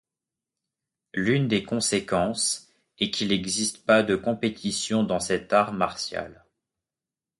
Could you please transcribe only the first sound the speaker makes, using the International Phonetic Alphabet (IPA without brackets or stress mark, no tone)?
l